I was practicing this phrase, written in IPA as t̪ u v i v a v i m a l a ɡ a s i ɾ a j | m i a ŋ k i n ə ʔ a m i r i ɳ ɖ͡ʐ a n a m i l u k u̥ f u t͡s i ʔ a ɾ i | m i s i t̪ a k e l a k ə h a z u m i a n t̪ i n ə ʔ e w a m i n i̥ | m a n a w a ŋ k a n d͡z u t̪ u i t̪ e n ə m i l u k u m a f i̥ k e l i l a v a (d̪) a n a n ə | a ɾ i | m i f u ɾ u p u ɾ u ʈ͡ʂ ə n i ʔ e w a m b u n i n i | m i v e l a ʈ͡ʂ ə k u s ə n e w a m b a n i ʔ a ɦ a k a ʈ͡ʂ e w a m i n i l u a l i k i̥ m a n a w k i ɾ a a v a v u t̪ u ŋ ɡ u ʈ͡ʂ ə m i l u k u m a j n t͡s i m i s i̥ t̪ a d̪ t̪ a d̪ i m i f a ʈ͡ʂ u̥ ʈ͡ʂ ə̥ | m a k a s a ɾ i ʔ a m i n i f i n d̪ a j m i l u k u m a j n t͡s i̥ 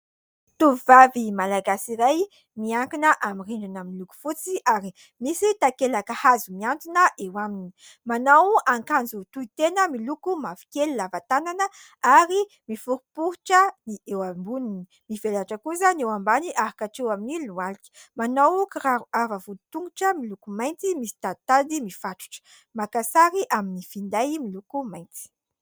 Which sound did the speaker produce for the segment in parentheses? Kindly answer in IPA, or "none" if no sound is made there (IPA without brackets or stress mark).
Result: t̪